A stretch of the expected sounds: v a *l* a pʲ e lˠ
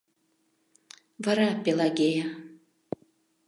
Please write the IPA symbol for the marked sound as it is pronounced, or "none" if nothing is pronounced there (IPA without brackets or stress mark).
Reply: ɾ